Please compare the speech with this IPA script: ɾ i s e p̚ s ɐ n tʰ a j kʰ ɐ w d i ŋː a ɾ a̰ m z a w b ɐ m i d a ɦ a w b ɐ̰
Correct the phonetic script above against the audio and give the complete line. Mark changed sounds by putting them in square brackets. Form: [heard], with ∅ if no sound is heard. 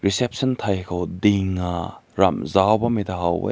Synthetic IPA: ɾ i s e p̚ s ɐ n tʰ a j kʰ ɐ w d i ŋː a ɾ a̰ m z a w b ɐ m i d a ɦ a w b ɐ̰